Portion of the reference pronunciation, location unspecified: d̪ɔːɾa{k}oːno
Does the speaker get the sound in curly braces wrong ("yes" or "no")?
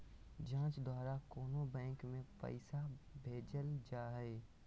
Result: no